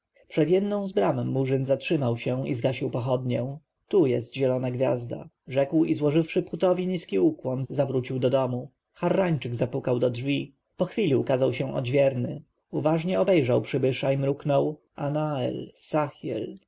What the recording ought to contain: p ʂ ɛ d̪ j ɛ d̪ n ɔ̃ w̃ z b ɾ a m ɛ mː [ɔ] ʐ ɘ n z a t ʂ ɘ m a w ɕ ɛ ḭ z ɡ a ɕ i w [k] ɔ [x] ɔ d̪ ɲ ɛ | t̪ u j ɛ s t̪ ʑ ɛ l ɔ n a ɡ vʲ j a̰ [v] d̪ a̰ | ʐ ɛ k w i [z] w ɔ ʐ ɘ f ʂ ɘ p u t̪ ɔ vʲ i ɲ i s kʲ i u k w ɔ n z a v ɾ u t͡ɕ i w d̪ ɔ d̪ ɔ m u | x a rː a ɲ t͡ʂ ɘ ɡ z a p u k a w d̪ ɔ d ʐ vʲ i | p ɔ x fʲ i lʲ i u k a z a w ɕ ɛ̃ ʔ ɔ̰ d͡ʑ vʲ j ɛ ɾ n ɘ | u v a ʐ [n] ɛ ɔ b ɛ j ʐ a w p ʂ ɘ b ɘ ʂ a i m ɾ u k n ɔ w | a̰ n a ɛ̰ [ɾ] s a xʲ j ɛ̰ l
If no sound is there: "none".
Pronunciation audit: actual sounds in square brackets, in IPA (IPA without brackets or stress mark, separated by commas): u, p, x, z, z, ɲ, l